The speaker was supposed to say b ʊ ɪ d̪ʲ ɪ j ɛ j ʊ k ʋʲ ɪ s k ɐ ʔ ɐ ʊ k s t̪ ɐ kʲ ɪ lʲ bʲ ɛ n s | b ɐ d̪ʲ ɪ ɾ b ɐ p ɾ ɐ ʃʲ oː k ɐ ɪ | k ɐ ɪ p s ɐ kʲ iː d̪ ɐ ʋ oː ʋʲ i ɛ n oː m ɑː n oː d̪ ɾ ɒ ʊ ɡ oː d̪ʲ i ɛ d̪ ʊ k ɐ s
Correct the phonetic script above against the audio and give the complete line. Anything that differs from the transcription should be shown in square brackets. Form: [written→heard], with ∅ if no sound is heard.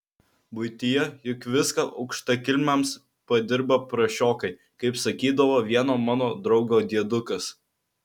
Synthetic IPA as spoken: b ʊ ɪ [d̪ʲ→t̪ʲ] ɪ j ɛ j ʊ k ʋʲ ɪ s k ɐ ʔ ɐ ʊ k [s→ʃ] t̪ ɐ kʲ ɪ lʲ [bʲ→mʲ] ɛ [n→m] s | [b→p] ɐ d̪ʲ ɪ ɾ b ɐ p ɾ ɐ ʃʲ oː k ɐ ɪ | k ɐ ɪ p s ɐ kʲ iː d̪ ɐ ʋ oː ʋʲ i ɛ n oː m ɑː n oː d̪ ɾ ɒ ʊ ɡ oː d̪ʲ i ɛ d̪ ʊ k ɐ s